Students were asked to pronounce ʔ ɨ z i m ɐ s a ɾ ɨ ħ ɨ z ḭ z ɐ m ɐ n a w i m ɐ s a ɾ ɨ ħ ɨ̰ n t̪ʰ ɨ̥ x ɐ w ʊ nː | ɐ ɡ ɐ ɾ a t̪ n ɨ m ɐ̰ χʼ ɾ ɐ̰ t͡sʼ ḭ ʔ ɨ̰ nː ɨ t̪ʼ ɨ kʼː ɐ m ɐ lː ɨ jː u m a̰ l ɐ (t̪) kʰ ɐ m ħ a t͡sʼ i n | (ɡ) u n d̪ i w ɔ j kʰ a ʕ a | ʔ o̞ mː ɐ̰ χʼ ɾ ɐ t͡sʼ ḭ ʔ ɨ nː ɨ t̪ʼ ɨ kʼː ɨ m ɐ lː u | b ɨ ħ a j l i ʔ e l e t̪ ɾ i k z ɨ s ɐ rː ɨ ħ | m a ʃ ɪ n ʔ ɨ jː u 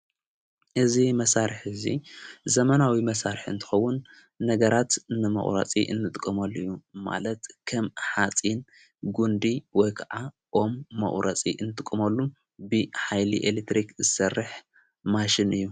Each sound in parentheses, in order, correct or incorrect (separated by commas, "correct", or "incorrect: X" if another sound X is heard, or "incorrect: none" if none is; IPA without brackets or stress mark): correct, correct